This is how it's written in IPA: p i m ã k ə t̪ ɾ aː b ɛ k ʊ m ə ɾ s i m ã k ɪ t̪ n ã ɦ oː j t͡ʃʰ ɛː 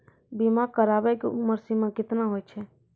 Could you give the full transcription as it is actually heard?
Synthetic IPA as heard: b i m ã k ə ɾ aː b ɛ k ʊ m ə ɾ s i m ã k ɪ t̪ n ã ɦ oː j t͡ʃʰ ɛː